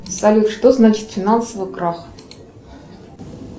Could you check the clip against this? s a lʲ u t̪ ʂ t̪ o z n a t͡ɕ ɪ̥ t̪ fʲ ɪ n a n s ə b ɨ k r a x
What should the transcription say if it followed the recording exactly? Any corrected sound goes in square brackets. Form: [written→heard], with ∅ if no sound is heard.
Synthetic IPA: s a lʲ u t̪ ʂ t̪ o z n a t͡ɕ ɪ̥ t̪ fʲ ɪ n a n s ə [b→v] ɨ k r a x